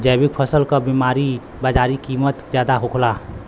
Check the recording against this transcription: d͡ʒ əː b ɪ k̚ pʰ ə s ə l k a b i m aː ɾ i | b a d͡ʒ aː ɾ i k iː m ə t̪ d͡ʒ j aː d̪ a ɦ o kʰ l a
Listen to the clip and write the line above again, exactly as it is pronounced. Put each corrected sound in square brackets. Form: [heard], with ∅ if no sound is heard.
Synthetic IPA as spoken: d͡ʒ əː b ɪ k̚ pʰ ə s ə l k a b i m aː ɾ i | b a d͡ʒ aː ɾ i k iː m ə t̪ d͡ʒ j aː d̪ a ɦ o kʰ l a